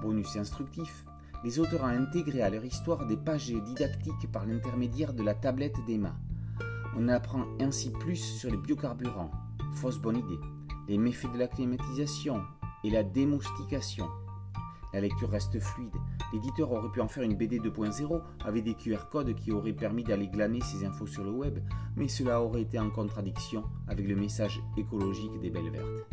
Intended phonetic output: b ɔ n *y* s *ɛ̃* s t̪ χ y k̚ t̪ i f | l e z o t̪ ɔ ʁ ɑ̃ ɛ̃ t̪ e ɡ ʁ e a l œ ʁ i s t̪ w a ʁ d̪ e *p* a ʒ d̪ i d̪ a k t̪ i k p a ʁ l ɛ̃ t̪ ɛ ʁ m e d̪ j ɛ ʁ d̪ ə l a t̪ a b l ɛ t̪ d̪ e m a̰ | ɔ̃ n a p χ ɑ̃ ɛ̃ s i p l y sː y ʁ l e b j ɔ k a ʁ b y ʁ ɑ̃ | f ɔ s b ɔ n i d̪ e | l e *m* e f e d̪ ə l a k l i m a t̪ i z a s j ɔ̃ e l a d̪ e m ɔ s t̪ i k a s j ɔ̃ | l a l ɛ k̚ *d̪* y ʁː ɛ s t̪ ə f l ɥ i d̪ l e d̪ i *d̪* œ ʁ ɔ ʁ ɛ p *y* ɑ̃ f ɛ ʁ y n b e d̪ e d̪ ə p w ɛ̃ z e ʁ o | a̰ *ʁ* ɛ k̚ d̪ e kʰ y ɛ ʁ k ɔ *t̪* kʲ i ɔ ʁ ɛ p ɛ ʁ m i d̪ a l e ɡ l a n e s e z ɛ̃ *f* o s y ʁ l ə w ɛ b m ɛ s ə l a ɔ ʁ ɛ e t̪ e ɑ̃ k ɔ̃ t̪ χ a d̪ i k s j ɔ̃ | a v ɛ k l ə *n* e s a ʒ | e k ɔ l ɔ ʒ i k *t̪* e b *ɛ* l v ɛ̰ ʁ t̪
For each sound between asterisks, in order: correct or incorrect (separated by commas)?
correct, correct, correct, correct, incorrect, incorrect, correct, incorrect, incorrect, correct, incorrect, incorrect, correct